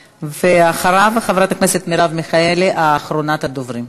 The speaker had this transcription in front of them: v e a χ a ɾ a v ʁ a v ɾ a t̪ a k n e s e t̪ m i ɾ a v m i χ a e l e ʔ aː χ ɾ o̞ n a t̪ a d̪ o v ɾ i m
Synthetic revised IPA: v e a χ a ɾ a v χ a v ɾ a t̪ a k n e s e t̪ m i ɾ a v m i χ a e l e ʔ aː χ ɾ o̞ n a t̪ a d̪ o v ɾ i m